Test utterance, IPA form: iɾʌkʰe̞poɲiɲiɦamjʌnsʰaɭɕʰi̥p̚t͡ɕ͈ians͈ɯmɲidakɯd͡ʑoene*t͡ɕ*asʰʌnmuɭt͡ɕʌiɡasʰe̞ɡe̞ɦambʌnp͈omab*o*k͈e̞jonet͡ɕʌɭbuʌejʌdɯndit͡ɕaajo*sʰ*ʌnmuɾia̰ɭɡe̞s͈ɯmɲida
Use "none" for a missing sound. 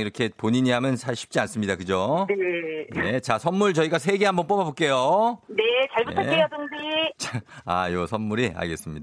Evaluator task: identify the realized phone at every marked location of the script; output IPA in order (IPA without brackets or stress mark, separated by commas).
t͡ɕ, o, sʰ